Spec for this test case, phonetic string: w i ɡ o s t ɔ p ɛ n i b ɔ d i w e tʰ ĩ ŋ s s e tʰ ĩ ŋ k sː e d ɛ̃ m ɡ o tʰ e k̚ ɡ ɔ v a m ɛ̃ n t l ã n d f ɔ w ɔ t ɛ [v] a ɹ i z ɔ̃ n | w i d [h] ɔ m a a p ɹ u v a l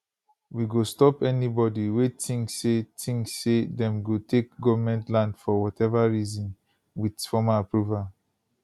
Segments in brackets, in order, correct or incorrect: correct, incorrect: f

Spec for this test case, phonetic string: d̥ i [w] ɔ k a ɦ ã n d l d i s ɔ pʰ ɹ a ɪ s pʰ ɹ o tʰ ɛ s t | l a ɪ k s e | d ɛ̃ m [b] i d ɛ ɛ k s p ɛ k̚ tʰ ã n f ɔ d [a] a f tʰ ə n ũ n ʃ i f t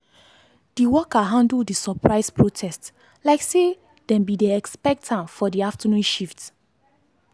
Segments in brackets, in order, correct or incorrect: correct, correct, incorrect: i

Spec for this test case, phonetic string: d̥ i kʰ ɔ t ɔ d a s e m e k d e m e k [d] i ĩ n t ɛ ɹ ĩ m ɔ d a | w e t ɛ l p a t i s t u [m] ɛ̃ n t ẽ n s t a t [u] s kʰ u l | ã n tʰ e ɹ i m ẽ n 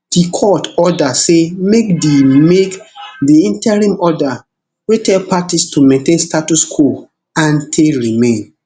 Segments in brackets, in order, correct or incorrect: correct, correct, correct

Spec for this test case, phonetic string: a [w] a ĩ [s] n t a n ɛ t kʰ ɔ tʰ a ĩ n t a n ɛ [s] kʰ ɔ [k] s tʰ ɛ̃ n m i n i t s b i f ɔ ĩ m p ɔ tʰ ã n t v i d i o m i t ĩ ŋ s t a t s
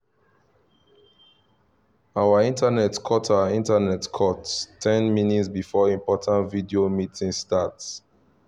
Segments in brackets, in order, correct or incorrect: correct, incorrect: none, incorrect: t, incorrect: t

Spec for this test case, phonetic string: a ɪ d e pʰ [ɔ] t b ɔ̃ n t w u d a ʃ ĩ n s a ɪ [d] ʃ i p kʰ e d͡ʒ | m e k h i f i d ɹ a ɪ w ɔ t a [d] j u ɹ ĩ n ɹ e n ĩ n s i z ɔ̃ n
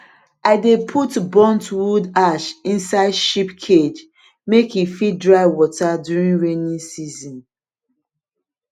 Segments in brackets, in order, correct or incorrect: incorrect: u, correct, correct

